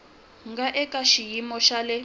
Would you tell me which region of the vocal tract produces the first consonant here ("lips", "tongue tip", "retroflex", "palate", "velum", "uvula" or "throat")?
velum